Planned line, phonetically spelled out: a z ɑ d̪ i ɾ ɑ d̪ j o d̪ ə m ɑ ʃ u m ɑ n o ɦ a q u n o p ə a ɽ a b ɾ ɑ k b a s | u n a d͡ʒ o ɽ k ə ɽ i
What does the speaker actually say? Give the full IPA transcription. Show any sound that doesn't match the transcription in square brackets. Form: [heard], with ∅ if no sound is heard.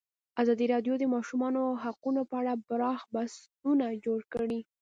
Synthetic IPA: a z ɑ d̪ i ɾ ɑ d̪ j o d̪ ə m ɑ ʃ u m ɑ n o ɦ a q u n o p ə a ɽ a b ɾ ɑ [x] b a s | u n a d͡ʒ o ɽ k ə ɽ i